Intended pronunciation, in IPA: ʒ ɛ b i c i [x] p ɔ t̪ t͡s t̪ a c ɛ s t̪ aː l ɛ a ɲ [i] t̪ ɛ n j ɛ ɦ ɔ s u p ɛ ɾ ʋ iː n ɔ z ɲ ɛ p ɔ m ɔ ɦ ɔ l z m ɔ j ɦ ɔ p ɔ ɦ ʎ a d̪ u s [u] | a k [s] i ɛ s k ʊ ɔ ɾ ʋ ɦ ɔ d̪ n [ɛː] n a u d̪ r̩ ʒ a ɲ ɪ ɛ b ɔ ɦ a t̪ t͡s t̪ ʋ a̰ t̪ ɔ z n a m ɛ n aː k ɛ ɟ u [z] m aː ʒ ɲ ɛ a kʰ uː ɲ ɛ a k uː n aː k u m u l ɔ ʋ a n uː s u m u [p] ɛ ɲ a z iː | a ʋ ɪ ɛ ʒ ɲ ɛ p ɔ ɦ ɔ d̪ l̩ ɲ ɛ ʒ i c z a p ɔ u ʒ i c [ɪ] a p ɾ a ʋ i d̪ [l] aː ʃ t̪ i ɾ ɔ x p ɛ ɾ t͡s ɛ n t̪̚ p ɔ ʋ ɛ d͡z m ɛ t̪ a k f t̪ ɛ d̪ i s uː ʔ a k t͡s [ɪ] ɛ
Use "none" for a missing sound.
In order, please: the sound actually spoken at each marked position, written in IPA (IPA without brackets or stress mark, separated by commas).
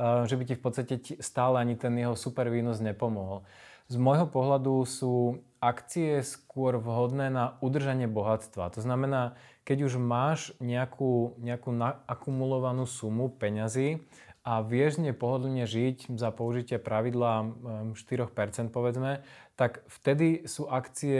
f, i, uː, t͡s, ɛː, ʒ, p, ɪ, l, i